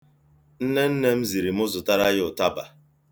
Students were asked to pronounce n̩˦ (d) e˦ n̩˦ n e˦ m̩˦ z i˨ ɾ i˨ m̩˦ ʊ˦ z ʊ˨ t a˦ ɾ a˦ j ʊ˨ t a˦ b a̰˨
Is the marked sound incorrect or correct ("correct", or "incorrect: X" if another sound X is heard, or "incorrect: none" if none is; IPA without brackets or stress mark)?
incorrect: n